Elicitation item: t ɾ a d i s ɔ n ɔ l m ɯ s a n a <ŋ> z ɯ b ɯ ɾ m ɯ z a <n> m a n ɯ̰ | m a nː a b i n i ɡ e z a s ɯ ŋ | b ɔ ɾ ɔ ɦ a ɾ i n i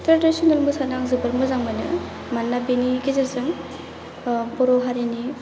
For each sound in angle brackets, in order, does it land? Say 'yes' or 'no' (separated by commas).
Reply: yes, no